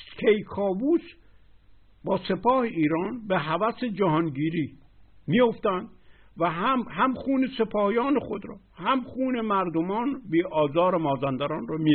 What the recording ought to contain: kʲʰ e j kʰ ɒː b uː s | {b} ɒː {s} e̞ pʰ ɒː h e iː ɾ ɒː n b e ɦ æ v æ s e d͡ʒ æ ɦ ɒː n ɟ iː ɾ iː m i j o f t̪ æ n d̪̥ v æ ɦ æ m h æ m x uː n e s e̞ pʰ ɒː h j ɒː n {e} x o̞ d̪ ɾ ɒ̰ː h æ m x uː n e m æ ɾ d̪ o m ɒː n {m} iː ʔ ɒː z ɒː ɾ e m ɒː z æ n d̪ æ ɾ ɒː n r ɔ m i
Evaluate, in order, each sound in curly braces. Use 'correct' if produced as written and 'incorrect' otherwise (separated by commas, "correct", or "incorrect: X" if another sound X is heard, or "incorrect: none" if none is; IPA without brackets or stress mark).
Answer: correct, correct, correct, incorrect: b